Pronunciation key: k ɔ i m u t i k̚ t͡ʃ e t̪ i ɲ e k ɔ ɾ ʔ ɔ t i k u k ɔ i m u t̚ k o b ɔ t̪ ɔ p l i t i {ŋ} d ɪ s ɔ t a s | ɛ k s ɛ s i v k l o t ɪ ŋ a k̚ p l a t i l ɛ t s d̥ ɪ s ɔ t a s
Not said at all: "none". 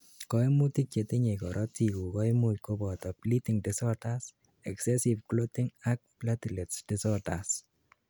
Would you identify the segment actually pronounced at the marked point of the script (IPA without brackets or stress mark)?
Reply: ŋ